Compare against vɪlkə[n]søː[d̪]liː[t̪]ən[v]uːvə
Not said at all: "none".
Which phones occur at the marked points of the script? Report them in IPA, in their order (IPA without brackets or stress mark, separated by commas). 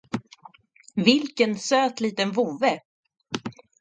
n, t̪, t̪, v